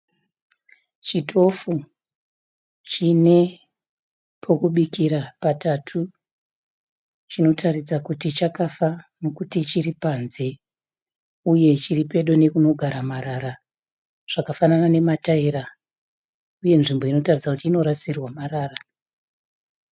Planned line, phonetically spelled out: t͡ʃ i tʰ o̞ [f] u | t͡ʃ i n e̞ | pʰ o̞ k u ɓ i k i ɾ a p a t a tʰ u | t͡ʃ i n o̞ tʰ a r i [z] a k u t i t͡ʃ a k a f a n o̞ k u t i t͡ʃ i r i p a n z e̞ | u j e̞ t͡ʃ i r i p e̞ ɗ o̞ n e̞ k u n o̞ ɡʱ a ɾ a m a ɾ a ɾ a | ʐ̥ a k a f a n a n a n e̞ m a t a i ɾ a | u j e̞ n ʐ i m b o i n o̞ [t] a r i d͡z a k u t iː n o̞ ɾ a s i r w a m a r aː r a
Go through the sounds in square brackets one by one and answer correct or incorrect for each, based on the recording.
correct, incorrect: d͡z, correct

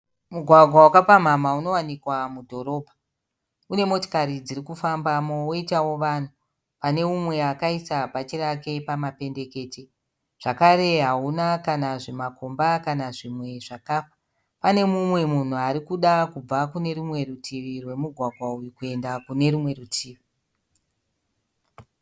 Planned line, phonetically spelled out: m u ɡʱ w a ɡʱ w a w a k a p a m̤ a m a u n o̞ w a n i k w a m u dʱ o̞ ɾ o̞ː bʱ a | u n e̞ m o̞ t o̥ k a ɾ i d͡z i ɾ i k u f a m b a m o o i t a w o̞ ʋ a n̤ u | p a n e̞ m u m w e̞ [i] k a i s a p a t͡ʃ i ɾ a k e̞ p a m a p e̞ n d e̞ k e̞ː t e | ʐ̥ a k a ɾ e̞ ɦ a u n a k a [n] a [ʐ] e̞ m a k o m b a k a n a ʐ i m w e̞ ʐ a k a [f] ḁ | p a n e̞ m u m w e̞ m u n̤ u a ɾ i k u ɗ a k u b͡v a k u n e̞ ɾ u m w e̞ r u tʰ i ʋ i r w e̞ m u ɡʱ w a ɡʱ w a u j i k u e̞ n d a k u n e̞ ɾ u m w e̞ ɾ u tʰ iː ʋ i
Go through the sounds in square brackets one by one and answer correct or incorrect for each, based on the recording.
incorrect: a, correct, correct, correct

